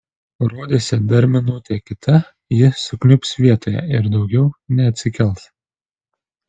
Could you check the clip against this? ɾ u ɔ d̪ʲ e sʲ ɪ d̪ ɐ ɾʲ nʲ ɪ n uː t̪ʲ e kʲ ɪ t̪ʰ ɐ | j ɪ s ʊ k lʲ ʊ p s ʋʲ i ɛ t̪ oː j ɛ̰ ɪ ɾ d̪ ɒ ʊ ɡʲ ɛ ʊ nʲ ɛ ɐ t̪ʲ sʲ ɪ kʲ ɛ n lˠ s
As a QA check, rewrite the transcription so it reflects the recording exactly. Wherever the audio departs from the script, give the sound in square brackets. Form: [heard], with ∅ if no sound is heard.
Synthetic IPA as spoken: ɾ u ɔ d̪ʲ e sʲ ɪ d̪ ɐ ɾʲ [mʲ] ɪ n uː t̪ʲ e kʲ ɪ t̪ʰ ɐ | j ɪ s ʊ k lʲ ʊ p s ʋʲ i ɛ t̪ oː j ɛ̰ ɪ ɾ d̪ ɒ ʊ ɡʲ ɛ ʊ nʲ ɛ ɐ t̪ʲ sʲ ɪ kʲ ɛ [∅] lˠ s